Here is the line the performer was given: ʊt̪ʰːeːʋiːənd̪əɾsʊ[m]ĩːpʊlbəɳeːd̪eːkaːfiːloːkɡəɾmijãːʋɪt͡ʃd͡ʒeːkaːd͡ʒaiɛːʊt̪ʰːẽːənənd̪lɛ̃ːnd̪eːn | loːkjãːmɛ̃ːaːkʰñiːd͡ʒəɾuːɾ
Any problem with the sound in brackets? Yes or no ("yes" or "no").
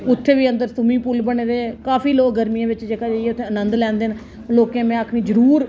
no